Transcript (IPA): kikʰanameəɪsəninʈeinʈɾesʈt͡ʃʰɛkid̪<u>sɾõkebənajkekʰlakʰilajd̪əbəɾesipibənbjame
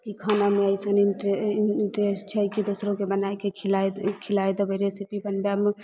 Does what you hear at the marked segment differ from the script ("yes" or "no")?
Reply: yes